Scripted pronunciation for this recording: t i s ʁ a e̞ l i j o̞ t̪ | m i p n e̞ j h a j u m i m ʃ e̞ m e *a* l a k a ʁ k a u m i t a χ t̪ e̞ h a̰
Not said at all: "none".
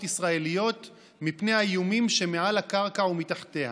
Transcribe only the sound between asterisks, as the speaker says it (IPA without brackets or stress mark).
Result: a